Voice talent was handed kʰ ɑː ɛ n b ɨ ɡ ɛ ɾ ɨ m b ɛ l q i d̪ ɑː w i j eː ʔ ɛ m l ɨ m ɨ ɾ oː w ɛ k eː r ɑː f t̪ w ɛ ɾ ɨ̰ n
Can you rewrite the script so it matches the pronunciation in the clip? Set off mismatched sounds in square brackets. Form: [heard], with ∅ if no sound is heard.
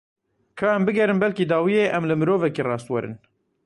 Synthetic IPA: kʰ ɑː ɛ [m] b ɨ ɡ ɛ ɾ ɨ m b ɛ l [k] i d̪ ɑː w i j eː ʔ ɛ m l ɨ m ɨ ɾ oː [v] ɛ k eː r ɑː [s] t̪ w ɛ ɾ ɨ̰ n